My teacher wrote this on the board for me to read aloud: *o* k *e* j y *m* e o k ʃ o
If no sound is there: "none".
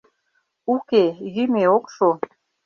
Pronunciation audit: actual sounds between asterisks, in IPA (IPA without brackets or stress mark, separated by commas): u, e, m